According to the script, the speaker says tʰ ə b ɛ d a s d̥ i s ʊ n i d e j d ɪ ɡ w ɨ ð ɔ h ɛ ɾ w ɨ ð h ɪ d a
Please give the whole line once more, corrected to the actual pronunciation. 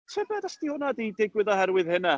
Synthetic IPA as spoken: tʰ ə b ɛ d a s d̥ i h ʊ n a d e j d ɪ ɡ w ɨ ð ɔ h ɛ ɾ w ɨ ð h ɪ n a